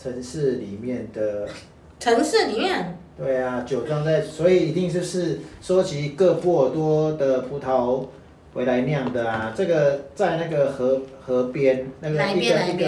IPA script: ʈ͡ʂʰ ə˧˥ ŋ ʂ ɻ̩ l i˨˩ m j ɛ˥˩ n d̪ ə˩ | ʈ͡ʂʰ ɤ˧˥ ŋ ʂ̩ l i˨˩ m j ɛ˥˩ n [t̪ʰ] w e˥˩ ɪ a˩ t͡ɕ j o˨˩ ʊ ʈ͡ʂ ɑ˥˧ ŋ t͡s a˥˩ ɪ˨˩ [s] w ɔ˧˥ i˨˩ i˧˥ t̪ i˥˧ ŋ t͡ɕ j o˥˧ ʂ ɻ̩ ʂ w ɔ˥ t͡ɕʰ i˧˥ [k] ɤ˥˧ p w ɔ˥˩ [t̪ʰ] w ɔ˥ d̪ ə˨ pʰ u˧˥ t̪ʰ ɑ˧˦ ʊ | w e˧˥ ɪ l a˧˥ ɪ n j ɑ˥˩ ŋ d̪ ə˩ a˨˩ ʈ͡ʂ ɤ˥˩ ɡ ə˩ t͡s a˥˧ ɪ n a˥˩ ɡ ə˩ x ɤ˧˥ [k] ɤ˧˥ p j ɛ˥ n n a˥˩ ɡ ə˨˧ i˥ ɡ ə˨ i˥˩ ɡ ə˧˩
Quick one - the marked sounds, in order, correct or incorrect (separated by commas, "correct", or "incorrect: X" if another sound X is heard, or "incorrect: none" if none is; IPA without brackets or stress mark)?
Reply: incorrect: t̪, correct, correct, incorrect: t̪, incorrect: x